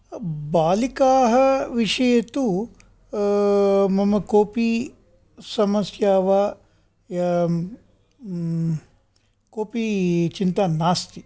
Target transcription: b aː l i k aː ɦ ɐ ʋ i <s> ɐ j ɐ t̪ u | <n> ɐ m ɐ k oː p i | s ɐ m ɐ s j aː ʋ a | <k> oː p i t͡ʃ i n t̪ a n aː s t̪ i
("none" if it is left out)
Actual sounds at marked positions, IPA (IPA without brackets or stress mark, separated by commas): ʂ, m, k